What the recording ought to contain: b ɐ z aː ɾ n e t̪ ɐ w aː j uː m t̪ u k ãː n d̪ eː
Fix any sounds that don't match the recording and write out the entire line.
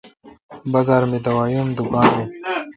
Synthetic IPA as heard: b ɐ z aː ɾ m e d̪ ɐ w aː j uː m d̪ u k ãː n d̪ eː